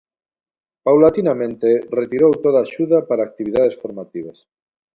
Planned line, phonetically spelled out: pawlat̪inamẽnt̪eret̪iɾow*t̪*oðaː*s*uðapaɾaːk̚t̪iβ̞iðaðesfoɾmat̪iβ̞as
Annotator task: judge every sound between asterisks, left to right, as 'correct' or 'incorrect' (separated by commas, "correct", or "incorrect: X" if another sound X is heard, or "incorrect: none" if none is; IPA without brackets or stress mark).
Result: correct, incorrect: ʃ